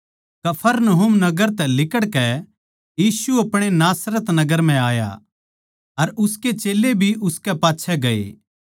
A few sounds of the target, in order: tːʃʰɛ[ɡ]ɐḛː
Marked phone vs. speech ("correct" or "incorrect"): correct